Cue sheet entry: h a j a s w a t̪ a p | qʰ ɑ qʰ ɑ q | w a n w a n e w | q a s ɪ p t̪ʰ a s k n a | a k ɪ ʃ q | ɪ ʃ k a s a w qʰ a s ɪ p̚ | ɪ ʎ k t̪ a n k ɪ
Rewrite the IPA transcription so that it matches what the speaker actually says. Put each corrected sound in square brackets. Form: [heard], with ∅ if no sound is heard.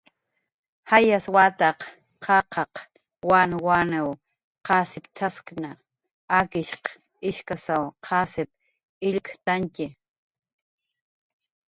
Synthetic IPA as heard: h a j a s w a t̪ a [q] | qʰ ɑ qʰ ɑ q | w a n w a n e w | q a s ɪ p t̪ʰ a s k n a | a k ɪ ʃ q | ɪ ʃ k a s a w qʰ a s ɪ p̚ | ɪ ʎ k t̪ a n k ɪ